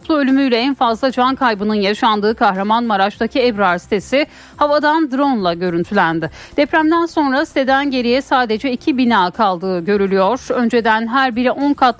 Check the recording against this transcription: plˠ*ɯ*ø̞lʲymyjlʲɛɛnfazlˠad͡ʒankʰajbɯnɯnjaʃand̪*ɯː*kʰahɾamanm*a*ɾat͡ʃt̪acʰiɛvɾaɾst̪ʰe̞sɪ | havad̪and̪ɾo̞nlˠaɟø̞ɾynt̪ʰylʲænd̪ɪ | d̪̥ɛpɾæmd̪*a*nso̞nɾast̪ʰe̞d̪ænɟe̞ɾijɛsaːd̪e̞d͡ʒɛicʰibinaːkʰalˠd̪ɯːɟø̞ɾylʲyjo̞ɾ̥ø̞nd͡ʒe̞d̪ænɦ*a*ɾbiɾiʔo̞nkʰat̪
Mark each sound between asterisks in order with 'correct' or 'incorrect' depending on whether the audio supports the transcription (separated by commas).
incorrect, correct, correct, incorrect, incorrect